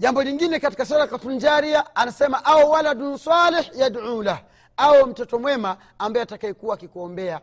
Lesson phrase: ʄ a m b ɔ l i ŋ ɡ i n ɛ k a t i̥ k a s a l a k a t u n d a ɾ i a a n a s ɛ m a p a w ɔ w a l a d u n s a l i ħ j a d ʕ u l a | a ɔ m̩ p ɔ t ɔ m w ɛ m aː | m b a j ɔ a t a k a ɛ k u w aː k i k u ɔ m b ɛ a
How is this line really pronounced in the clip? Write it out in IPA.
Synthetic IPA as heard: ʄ a m b ɔ l i ŋ ɡ i n ɛ k a t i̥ k a s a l a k a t u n d͡ʒ a ɾ i a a n a s ɛ m a ʔ a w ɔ w a l a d u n s a l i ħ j a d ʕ u l a | a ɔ m̩ t ɔ t ɔ m w ɛ m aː | m b a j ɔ a t a k a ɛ k u w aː k i k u ɔ m b ɛ a